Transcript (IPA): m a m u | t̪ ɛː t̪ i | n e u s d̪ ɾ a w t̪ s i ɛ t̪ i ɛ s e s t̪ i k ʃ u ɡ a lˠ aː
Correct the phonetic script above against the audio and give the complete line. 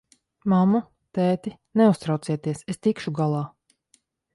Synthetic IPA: m a m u | t̪ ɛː t̪ i | n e u s t̪ ɾ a w t̪ s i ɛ t̪ i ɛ s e s t̪ i k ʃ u ɡ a lˠ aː